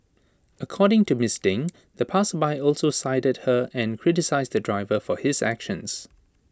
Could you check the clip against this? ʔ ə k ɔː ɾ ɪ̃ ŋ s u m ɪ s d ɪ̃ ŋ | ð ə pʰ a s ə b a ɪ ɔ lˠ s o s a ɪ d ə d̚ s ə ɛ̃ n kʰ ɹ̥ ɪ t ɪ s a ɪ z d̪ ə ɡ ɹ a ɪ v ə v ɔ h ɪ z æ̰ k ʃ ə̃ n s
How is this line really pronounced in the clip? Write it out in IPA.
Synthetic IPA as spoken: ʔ ə kʰ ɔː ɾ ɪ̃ ŋ t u m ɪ s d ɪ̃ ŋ | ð ə pʰ a s ə b a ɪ ɔ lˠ s o s a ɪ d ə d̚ h ə ɛ̃ n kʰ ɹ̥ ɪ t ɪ s a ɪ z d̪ ə d ɹ a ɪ v ə f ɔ h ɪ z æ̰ k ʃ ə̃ n s